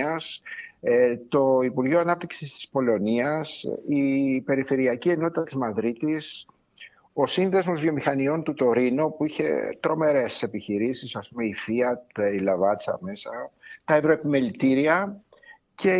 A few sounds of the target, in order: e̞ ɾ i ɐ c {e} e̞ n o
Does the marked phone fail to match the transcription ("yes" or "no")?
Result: yes